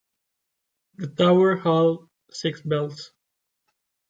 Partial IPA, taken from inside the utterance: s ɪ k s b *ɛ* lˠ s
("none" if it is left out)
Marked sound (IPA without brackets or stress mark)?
ɛ